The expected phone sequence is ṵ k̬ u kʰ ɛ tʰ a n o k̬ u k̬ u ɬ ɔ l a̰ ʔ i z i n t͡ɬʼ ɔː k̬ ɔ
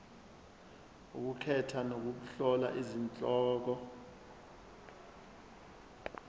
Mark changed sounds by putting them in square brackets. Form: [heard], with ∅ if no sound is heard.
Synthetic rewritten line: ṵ k̬ u kʰ ɛ tʰ a n o k̬ u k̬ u ɬ ɔ l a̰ ʔ i z i n t͡ɬʼ ɔː k̬ ɔ